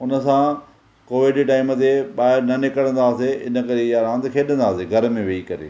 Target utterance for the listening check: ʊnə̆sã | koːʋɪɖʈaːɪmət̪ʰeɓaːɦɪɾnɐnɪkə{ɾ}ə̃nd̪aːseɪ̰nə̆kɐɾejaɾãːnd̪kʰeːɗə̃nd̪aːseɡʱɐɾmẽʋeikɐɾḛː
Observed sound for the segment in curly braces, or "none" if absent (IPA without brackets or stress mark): ɽ